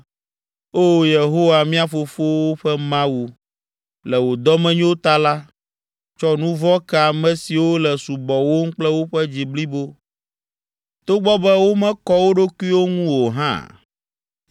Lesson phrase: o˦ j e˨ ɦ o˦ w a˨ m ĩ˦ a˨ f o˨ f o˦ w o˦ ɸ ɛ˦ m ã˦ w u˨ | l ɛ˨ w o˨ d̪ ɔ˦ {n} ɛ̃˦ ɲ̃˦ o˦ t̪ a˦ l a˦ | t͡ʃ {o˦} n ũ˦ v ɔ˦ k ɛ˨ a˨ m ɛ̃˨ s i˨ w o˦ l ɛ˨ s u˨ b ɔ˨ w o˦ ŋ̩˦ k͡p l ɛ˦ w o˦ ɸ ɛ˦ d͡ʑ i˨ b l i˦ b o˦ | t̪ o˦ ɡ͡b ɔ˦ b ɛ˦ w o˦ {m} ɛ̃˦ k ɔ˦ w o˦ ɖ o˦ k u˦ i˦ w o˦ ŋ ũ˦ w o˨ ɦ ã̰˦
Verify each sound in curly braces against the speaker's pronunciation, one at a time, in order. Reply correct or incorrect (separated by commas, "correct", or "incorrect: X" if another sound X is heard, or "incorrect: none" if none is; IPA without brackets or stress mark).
incorrect: m, incorrect: ɔ˦, correct